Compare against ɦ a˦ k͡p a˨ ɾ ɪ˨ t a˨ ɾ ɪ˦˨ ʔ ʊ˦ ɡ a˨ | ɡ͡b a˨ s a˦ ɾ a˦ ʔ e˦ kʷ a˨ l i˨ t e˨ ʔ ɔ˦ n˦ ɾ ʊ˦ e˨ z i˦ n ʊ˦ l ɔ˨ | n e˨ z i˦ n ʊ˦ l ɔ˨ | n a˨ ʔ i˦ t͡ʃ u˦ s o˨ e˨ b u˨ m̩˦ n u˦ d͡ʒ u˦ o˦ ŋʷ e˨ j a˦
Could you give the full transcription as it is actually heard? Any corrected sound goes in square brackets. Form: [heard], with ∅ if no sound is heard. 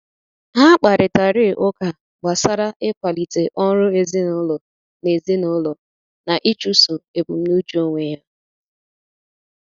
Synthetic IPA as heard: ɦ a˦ k͡p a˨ ɾ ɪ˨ t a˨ ɾ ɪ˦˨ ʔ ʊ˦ [k] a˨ | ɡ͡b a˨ s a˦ ɾ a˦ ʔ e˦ kʷ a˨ l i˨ t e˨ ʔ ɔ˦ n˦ ɾ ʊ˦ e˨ z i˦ n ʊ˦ l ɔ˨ | n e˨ z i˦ n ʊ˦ l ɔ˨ | n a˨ ʔ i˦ t͡ʃ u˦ s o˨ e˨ b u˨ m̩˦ n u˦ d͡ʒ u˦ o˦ ŋʷ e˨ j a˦